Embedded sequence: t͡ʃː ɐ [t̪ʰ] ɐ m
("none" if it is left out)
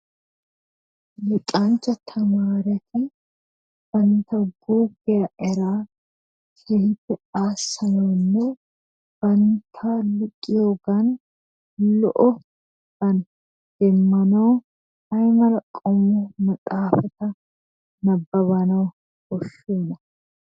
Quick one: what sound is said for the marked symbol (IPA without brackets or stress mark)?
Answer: t̪ʰ